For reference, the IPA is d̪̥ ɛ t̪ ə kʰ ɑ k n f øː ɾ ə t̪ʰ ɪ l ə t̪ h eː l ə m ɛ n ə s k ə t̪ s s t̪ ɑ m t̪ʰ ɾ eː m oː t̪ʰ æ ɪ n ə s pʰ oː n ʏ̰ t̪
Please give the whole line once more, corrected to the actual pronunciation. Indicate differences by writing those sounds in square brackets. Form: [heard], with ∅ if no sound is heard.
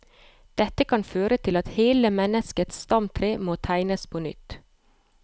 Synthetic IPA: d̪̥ ɛ t̪ ə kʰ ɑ [∅] n f øː ɾ ə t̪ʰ ɪ l [ɑ] t̪ h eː l ə m ɛ n ə s k ə t̪ s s t̪ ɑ m t̪ʰ ɾ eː m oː t̪ʰ æ ɪ n ə s pʰ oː n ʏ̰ t̪